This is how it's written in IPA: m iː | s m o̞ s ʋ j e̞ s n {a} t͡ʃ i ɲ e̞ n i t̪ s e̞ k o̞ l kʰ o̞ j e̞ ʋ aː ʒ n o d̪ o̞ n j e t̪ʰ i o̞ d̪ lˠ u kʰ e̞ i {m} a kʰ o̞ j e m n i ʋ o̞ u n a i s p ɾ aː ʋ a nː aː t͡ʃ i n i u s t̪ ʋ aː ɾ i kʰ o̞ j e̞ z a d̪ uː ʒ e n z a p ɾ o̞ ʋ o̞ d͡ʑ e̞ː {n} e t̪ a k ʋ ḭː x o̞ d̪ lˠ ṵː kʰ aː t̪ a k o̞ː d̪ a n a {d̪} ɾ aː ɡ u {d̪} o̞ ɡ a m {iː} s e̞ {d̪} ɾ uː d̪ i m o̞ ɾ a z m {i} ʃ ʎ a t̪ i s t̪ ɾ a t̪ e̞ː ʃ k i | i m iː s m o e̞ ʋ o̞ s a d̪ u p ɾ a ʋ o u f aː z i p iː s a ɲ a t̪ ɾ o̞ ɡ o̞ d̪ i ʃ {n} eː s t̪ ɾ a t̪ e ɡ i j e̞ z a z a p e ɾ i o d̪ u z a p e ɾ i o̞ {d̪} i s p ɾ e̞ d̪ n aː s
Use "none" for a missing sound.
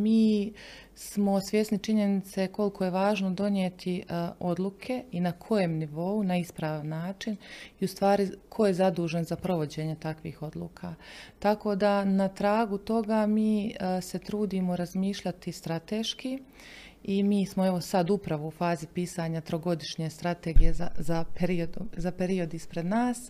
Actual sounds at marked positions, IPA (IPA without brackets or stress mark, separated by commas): i, n, ɲ, t̪, t̪, iː, t̪, iː, ɲ, d̪